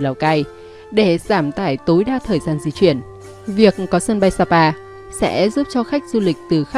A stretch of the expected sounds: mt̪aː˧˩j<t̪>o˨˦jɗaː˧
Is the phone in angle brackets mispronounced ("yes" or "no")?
no